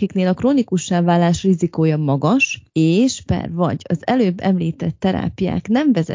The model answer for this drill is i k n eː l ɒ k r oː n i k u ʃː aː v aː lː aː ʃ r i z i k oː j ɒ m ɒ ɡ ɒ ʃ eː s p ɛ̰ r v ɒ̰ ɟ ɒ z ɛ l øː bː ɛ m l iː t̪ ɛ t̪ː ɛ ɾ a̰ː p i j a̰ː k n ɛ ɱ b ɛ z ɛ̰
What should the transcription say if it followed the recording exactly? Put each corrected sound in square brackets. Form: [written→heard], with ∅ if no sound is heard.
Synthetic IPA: i k n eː l ɒ k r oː n i k u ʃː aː v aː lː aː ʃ r i z i k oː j ɒ m ɒ ɡ ɒ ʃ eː [s→ʃ] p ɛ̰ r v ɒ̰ ɟ ɒ z ɛ l øː bː ɛ m l iː t̪ ɛ t̪ː ɛ ɾ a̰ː p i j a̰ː k n ɛ ɱ [b→v] ɛ z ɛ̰